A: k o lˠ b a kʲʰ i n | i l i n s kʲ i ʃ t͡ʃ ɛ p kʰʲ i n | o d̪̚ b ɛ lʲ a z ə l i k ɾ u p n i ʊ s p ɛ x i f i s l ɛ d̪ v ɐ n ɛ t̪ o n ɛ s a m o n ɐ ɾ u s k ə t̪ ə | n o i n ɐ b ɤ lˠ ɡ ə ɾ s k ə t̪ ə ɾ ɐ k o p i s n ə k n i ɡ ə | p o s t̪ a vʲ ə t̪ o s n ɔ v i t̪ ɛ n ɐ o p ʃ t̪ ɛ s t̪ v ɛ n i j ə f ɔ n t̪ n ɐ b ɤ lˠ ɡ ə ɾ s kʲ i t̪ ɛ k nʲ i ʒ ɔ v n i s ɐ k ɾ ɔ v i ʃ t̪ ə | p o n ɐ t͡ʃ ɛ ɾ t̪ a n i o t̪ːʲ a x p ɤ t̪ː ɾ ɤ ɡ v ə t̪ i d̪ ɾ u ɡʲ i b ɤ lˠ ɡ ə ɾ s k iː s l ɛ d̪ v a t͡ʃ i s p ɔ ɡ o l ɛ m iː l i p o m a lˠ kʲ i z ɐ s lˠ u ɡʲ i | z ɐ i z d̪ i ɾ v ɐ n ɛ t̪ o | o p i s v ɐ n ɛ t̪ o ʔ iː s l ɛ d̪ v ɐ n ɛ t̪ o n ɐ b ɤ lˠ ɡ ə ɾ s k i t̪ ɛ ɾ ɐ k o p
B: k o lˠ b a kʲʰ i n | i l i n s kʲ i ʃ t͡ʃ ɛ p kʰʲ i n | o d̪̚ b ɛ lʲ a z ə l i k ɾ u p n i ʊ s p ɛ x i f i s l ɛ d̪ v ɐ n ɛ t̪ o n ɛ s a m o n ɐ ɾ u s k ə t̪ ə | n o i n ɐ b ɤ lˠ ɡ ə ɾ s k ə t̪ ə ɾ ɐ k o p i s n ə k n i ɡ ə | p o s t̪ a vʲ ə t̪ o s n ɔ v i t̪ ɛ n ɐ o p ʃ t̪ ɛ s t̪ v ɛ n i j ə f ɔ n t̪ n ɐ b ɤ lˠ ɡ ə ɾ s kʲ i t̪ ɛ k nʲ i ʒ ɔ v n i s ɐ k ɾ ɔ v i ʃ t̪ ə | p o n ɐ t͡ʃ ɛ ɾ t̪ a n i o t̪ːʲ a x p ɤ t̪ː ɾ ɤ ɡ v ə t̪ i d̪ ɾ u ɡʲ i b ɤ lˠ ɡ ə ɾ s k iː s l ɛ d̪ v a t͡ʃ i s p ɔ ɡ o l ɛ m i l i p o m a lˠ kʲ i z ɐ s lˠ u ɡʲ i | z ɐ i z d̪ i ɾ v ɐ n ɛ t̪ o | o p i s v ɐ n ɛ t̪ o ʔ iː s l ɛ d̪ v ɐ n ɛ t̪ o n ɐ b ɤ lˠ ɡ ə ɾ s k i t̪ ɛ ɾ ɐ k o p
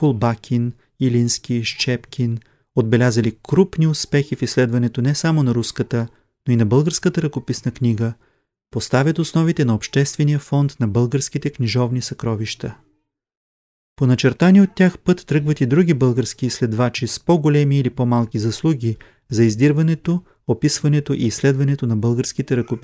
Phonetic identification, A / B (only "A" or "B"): A